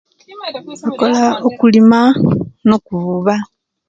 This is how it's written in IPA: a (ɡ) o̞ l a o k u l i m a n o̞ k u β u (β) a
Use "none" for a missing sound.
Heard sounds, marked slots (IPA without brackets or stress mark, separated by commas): k, β